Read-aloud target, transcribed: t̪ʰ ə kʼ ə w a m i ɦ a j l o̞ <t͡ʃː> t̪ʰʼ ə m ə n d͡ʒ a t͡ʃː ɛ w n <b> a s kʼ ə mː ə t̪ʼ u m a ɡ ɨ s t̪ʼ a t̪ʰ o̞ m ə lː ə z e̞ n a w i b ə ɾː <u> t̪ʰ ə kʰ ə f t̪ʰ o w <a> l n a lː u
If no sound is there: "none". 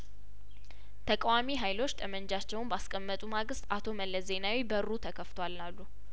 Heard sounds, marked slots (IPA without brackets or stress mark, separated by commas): t͡ʃː, b, u, a